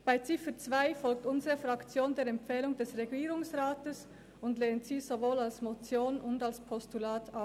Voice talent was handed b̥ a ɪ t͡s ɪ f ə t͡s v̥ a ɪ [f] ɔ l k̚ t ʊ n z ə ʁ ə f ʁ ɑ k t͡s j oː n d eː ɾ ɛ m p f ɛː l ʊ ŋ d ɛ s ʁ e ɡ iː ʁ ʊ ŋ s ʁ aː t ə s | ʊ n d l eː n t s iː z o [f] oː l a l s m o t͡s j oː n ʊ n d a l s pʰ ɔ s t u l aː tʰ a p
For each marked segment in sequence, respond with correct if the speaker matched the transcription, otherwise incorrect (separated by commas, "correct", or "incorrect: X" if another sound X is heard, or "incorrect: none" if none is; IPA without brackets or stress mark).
correct, incorrect: v